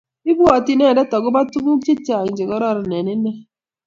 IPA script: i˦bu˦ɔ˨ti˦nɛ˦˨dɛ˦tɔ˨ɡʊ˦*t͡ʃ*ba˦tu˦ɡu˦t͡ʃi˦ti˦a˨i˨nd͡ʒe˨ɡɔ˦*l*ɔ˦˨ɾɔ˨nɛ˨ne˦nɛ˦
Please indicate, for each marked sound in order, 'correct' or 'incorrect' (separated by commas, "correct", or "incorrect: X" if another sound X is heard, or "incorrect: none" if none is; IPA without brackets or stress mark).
incorrect: none, incorrect: ɾ